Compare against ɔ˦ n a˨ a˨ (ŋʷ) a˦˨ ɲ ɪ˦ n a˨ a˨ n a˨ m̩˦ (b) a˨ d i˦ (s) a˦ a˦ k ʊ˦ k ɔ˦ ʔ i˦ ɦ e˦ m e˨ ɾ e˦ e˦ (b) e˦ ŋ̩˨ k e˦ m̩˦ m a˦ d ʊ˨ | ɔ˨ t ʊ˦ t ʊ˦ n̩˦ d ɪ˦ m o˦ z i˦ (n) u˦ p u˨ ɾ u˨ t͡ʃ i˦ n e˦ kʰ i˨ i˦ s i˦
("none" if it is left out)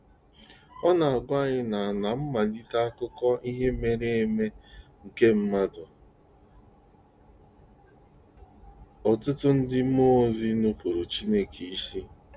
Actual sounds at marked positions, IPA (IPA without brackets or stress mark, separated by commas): ɡʷ, m, t, m, n